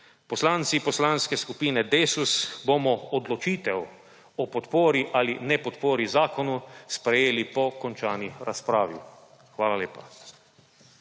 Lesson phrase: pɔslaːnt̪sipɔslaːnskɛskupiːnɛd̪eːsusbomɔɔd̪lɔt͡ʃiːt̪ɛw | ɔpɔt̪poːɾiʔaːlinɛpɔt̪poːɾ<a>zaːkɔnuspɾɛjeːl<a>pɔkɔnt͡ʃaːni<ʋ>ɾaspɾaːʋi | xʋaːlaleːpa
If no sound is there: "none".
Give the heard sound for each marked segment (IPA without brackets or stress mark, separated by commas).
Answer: i, i, none